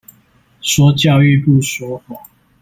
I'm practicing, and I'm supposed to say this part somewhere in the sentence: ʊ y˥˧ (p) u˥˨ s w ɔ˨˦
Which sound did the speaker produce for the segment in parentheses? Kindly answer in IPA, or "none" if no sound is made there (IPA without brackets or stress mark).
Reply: p